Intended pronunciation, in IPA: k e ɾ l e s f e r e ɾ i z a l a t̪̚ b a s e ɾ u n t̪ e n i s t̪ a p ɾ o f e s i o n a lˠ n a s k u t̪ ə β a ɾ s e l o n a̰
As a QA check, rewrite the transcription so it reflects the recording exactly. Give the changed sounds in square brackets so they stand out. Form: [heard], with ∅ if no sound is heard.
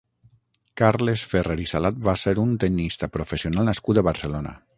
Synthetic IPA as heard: k [a] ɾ l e s f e r e ɾ i [s] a l a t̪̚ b a s e ɾ u n t̪ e n i s t̪ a p ɾ o f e s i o n a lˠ n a s k u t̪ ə β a ɾ s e l o n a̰